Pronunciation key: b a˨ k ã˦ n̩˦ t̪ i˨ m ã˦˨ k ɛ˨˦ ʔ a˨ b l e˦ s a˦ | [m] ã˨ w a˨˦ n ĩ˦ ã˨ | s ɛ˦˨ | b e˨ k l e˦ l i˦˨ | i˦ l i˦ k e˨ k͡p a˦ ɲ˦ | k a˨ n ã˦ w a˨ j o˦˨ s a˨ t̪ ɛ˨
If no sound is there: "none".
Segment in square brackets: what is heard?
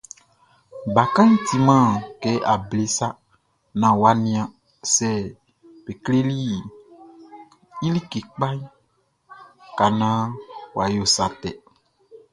n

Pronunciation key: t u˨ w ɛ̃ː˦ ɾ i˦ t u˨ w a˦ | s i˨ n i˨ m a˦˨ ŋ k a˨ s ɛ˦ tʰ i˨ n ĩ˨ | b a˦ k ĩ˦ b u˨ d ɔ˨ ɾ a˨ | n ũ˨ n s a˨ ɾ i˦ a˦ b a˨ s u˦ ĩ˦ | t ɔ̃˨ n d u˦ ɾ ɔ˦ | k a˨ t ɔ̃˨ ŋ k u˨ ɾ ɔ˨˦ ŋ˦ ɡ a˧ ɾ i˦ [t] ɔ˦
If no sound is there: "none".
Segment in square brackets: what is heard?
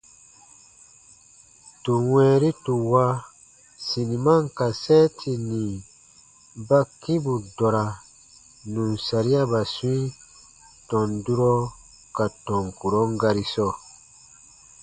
s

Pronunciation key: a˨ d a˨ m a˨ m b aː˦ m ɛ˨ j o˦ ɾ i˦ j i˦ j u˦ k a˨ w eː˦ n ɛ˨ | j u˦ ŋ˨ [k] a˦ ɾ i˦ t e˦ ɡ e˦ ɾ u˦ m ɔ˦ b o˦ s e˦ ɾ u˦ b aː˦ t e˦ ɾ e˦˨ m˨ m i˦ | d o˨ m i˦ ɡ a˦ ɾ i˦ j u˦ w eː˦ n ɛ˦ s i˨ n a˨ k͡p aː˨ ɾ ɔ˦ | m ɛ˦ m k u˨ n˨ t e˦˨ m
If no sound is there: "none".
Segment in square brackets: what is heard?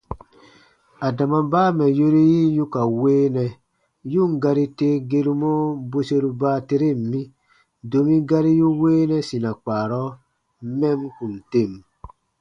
ɡ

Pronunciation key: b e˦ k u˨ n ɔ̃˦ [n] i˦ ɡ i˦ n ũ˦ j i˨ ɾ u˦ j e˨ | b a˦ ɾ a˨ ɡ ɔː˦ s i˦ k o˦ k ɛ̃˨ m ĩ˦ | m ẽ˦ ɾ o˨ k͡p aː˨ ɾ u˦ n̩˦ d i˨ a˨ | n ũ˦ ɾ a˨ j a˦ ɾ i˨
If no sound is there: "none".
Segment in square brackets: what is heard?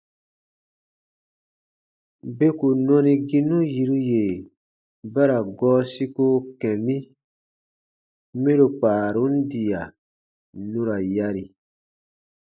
n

